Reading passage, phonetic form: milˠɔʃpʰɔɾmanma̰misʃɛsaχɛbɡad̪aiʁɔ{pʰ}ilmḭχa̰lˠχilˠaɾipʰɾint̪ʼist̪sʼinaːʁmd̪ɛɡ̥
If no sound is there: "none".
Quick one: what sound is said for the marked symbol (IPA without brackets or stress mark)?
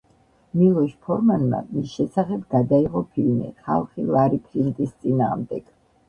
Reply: pʰ